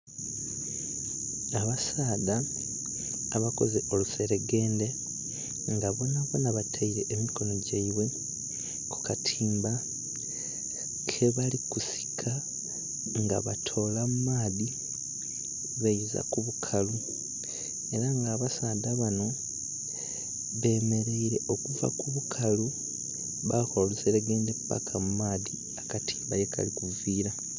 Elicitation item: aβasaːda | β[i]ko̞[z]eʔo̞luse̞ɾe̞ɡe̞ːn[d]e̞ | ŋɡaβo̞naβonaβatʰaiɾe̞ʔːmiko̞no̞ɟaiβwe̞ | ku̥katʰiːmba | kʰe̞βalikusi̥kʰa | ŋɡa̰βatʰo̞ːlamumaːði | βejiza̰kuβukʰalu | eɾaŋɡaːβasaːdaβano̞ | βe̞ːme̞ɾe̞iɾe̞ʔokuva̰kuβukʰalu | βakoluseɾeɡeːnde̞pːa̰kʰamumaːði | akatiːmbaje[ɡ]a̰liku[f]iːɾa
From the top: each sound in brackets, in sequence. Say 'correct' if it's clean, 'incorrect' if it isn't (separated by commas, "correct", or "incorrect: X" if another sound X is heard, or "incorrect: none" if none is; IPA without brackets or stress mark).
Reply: incorrect: a, correct, correct, incorrect: k, incorrect: v